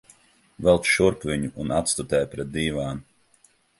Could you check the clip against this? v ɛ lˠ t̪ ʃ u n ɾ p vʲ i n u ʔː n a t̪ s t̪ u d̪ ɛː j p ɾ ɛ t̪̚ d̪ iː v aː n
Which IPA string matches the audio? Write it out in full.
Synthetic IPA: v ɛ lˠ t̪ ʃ u ɾ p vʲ i ɲ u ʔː n a t̪ s t̪ u t̪ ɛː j p ɾ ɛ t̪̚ d̪ iː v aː n